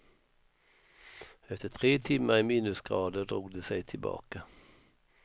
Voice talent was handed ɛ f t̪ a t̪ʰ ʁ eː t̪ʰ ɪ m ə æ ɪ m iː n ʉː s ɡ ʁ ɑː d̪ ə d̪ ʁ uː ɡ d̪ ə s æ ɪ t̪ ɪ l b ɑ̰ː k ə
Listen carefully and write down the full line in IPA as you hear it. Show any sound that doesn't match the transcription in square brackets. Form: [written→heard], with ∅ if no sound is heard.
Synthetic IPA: ɛ f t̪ [a→ə] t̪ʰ ʁ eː t̪ʰ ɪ m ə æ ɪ m iː n [ʉː→ʉ] s ɡ ʁ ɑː d̪ ə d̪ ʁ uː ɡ d̪ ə s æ ɪ [t̪→t̪ʰ] ɪ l b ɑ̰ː k ə